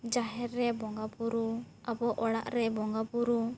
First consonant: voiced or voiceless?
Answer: voiced